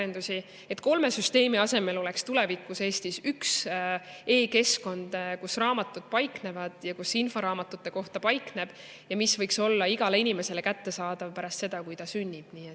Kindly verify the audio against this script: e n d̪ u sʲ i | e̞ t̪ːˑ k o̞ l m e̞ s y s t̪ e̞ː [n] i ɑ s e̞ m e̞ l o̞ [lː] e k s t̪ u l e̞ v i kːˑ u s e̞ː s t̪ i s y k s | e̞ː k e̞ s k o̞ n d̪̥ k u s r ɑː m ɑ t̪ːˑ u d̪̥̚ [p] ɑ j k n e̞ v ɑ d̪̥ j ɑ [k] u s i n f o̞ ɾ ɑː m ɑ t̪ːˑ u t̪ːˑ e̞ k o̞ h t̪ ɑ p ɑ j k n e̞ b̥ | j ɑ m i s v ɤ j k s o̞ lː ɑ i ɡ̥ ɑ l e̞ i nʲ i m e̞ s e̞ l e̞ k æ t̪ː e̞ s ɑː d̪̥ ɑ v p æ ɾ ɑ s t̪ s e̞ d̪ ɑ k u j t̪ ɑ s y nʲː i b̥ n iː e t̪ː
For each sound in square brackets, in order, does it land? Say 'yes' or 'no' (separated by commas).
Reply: no, no, yes, yes